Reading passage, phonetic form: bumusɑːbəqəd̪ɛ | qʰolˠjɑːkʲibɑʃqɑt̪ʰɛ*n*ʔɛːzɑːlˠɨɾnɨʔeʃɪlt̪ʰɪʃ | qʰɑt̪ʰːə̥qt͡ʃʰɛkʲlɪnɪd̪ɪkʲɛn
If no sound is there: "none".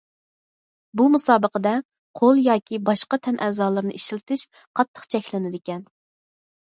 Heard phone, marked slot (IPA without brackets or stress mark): n